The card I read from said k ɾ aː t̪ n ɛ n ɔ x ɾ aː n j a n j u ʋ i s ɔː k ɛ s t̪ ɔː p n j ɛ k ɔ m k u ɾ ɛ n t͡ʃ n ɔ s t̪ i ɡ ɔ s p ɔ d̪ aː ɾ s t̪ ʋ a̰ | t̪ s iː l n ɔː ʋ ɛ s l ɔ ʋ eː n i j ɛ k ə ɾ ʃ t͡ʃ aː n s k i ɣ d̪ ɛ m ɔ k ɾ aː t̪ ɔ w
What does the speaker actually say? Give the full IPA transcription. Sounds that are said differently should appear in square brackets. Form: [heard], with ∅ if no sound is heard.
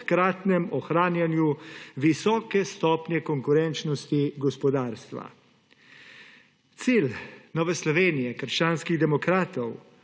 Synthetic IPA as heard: k ɾ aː t̪ n ɛ [m] ɔ x ɾ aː n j a n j u ʋ i s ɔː k ɛ s t̪ ɔː p n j ɛ k ɔ [ŋ] k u ɾ ɛ n t͡ʃ n ɔ s t̪ i ɡ ɔ s p ɔ d̪ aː ɾ s t̪ ʋ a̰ | t̪ s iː l n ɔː ʋ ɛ s l ɔ ʋ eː n i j ɛ k ə ɾ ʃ t͡ʃ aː n s k i ɣ d̪ ɛ m ɔ k ɾ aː t̪ ɔ w

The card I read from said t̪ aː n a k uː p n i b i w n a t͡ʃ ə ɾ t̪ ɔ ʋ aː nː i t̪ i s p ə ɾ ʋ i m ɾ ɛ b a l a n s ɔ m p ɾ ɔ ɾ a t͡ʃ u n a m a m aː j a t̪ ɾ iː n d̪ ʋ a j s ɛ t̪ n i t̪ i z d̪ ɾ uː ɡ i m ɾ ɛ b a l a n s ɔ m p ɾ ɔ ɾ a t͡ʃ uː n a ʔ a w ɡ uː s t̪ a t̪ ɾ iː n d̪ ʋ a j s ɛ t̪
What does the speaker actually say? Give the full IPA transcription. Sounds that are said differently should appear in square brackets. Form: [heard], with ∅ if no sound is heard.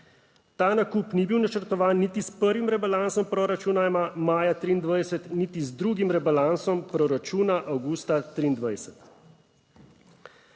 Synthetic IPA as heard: t̪ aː n a k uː p n i b i w n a t͡ʃ ə ɾ t̪ ɔ ʋ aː nː i t̪ i s p ə ɾ ʋ i m ɾ ɛ b a l a n s ɔ m p ɾ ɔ ɾ a t͡ʃ u n a m a m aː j a t̪ ɾ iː n d̪ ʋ a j s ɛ t̪ n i t̪ i z d̪ ɾ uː ɡ i m ɾ ɛ b a l a n s ɔ m p ɾ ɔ ɾ a t͡ʃ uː n a ʔ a w ɡ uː s t̪ a t̪ ɾ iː n d̪ ʋ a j s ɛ t̪

